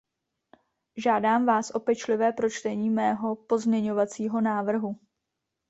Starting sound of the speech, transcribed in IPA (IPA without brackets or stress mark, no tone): ʒ